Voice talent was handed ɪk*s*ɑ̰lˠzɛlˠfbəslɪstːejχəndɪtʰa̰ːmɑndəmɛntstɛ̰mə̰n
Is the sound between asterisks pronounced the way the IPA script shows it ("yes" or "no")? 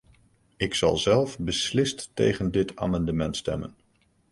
yes